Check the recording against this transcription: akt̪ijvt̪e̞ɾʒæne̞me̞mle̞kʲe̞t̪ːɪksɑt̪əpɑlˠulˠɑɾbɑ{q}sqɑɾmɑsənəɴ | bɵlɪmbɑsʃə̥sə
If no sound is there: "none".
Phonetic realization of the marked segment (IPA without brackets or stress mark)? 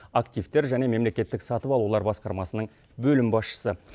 none